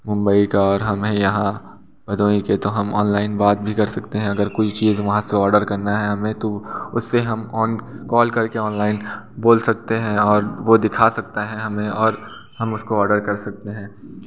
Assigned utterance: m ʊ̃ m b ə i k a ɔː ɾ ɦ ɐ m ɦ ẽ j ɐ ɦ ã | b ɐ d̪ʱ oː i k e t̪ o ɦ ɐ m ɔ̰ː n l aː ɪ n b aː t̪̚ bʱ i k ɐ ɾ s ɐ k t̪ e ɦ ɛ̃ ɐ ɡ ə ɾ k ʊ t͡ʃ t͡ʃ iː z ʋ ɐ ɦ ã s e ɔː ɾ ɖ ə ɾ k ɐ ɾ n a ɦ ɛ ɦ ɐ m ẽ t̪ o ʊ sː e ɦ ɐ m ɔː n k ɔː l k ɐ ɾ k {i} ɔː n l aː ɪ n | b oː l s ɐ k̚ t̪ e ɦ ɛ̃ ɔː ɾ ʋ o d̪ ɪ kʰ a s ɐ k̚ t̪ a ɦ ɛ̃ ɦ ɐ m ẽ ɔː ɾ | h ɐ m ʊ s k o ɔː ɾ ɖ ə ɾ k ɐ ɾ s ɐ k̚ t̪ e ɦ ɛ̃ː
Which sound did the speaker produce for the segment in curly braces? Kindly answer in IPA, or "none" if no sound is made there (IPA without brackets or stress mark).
e